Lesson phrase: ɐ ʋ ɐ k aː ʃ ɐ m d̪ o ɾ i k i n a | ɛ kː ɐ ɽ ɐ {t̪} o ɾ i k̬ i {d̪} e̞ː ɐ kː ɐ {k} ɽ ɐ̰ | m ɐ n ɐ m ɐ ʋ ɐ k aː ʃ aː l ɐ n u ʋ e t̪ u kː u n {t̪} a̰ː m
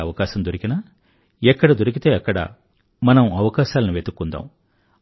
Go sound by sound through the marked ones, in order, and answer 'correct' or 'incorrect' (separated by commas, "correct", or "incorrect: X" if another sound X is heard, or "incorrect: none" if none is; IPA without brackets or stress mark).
incorrect: d̪, incorrect: t̪, incorrect: none, incorrect: d̪